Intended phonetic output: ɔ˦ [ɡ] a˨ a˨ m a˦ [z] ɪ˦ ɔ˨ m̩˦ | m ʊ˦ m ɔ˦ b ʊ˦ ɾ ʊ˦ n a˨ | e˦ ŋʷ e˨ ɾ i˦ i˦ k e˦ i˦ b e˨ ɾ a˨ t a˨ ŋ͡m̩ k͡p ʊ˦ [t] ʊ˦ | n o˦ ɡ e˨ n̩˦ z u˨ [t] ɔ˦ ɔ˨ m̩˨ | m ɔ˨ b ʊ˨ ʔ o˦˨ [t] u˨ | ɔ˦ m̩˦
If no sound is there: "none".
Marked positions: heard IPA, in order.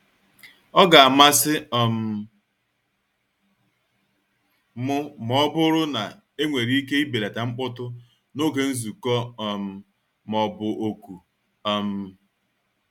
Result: ɡ, s, t, k, k

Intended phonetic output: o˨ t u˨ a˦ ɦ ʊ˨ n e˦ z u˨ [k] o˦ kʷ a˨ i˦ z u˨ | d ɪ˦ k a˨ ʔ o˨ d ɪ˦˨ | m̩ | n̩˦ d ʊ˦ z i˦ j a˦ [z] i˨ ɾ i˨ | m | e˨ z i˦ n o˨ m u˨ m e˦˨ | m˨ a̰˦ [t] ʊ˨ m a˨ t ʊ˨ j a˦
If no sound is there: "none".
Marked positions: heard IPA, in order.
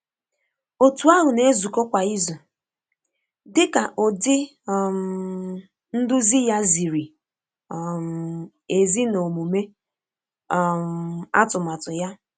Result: k, z, t

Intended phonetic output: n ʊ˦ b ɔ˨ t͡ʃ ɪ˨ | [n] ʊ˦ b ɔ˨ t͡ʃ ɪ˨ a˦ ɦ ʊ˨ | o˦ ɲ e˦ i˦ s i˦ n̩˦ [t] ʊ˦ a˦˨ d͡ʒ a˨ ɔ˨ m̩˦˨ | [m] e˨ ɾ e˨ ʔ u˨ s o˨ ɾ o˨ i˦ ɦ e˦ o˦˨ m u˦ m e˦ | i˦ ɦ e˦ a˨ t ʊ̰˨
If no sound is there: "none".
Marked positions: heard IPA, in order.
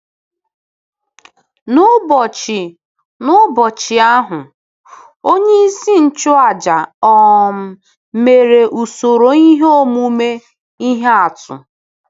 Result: n, t͡ʃ, m

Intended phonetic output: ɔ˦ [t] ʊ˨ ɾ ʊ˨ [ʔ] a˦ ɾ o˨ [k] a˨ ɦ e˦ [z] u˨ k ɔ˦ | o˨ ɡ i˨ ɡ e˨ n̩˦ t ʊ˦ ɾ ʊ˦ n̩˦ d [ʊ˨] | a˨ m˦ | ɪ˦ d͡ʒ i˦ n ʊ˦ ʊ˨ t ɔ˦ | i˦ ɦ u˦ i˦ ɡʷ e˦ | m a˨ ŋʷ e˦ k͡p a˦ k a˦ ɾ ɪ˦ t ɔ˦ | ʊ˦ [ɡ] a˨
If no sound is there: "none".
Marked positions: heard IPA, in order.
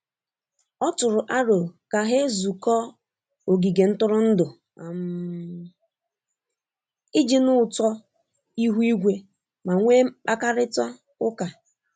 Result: t, ʔ, k, z, ʊ˨, k

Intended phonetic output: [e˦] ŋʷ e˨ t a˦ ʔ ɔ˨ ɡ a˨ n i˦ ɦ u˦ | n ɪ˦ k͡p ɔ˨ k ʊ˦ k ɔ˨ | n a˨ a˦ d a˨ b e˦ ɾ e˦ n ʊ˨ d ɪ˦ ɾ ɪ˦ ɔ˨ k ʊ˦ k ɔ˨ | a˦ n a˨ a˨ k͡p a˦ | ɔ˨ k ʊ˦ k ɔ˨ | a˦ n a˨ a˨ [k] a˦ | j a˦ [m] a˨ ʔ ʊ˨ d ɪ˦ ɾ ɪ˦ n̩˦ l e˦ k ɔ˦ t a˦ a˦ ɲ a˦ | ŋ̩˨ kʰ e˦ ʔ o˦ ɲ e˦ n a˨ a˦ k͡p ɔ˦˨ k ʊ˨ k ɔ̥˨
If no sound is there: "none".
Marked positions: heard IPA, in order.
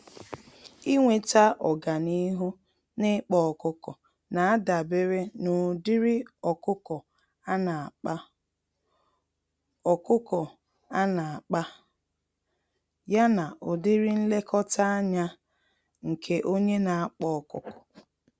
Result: i˦, k͡p, n

